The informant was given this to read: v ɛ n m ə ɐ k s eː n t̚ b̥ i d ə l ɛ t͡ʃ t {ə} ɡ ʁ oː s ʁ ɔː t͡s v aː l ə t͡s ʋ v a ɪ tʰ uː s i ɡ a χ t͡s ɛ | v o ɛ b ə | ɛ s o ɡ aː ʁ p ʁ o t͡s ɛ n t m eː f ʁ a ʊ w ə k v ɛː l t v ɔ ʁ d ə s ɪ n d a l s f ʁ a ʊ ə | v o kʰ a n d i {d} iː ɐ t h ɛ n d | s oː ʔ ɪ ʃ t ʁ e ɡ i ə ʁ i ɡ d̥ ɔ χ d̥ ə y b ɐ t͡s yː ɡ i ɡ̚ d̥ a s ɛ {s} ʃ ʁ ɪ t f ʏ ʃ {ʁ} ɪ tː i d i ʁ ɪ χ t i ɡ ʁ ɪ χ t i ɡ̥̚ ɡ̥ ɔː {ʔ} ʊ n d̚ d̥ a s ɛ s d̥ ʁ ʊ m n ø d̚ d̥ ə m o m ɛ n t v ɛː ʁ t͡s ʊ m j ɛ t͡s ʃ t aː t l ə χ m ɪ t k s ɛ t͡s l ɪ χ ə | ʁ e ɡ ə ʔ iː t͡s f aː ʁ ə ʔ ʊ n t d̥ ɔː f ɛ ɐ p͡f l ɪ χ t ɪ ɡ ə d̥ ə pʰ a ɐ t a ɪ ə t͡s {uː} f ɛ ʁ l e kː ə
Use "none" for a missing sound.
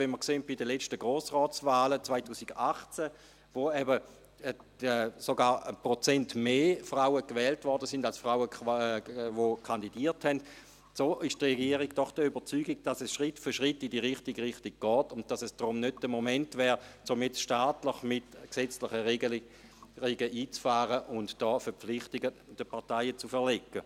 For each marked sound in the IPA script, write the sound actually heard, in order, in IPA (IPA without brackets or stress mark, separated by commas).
ə, d, s, ʁ, t, u